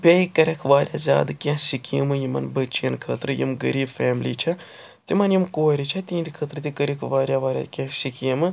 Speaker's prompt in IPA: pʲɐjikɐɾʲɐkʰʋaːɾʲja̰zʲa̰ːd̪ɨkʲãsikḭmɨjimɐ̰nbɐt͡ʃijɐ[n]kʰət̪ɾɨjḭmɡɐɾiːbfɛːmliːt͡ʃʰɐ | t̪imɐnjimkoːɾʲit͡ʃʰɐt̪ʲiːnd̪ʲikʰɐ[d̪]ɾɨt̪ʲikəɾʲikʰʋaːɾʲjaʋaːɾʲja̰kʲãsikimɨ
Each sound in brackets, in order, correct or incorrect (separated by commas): correct, incorrect